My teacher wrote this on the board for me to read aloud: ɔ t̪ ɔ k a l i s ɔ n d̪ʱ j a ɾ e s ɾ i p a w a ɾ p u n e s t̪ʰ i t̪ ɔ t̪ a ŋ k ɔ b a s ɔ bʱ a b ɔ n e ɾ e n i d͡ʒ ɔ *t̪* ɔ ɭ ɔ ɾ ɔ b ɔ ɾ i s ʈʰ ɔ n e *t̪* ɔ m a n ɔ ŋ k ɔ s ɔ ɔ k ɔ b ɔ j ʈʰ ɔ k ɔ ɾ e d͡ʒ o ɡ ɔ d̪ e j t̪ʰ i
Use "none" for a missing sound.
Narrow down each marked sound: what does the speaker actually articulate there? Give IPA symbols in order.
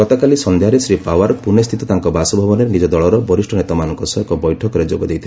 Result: d̪, t̪

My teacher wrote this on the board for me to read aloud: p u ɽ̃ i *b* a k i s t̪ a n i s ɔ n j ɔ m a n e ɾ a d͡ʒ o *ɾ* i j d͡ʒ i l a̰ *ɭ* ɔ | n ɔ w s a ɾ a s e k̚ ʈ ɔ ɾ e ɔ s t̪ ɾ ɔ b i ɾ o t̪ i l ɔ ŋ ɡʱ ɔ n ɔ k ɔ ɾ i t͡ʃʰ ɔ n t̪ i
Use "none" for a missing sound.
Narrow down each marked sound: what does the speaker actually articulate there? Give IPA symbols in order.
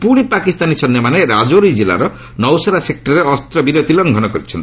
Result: p, ɾ, ɾ

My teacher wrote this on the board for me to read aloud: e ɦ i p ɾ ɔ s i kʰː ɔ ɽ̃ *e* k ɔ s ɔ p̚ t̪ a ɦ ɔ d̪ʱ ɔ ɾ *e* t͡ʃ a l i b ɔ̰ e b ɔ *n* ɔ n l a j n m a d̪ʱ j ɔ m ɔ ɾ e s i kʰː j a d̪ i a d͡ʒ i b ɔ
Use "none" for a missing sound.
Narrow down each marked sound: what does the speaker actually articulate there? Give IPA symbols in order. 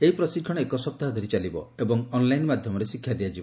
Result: e, i, ŋ

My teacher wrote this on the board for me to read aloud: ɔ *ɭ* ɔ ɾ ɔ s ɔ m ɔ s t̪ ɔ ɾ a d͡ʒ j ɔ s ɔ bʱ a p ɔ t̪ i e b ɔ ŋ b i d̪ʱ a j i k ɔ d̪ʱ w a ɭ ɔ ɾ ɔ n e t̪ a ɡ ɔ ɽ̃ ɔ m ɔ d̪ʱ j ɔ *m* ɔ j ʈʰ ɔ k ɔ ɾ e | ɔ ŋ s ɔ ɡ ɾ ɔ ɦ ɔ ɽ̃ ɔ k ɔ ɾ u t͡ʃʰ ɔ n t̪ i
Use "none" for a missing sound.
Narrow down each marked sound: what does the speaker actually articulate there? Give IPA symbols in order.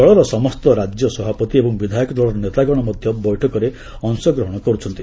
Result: ɭ, b

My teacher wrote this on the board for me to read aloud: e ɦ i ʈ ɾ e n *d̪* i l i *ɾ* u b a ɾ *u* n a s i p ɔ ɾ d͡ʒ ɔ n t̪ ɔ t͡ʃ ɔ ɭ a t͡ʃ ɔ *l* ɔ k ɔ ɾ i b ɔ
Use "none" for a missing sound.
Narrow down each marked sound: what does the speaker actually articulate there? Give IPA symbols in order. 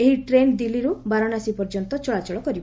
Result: d̪, ɾ, ɔ, ɭ

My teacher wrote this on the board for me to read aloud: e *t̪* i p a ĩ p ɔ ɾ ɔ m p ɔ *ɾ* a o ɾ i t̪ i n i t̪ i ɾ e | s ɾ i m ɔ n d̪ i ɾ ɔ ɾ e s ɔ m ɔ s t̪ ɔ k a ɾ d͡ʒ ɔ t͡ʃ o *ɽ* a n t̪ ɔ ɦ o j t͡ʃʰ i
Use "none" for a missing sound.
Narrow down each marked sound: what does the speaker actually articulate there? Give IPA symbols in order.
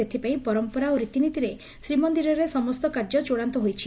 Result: t̪ʰ, ɾ, ɽ

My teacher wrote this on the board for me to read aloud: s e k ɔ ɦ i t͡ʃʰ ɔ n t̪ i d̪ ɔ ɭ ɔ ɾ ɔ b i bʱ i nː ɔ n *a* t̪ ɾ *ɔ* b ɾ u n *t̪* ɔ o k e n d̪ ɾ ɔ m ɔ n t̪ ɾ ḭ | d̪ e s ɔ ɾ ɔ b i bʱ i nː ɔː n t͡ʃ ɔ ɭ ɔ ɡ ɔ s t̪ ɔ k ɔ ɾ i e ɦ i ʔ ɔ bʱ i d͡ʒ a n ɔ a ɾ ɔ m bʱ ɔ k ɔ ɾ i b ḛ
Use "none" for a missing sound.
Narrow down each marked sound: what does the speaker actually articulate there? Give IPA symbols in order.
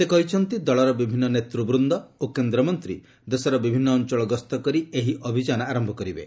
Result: e, u, d̪

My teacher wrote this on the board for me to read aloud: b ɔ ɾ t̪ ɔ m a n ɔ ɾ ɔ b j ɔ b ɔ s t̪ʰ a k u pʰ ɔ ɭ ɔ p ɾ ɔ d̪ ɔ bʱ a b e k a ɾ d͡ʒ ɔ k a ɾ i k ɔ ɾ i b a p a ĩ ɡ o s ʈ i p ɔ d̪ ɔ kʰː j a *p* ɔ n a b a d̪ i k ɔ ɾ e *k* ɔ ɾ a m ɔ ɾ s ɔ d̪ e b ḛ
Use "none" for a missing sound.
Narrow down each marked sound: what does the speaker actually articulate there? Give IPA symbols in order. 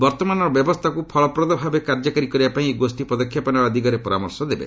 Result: p, p

